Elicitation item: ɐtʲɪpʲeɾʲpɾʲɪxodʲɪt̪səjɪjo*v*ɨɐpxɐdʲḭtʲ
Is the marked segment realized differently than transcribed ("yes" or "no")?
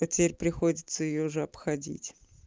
yes